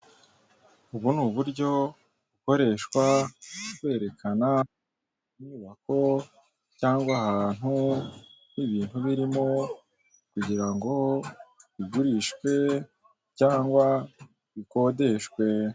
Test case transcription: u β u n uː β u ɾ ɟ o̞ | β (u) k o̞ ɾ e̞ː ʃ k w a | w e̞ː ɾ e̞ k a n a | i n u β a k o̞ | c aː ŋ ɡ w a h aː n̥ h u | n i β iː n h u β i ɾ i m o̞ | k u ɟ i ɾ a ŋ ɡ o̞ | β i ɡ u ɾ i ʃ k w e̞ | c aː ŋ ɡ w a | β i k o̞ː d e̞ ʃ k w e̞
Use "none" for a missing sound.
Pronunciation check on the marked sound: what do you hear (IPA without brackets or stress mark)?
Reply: u